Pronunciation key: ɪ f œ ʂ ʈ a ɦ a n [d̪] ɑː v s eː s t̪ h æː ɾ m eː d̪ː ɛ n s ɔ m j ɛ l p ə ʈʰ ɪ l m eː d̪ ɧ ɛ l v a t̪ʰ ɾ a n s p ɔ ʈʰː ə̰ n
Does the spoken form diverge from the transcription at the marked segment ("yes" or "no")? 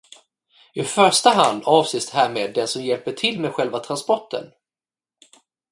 no